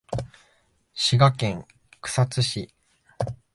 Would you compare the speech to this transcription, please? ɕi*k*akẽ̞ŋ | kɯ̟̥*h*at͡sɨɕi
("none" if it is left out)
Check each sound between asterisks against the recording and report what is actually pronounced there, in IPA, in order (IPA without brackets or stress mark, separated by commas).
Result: ɡ, s